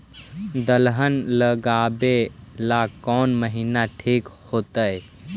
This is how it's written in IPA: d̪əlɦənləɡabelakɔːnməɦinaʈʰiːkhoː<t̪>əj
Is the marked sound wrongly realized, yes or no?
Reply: no